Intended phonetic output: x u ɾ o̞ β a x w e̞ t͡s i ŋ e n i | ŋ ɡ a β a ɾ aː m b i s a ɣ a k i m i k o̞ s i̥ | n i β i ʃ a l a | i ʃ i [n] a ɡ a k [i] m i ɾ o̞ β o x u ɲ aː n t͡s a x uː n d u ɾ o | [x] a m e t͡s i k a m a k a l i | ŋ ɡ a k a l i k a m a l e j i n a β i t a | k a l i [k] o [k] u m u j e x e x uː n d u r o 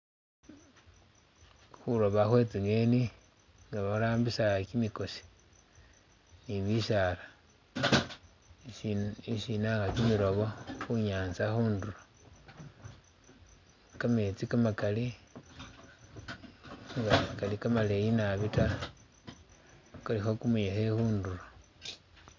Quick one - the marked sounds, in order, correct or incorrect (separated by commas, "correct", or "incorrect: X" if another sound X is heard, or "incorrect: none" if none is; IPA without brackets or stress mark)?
correct, correct, incorrect: k, incorrect: x, correct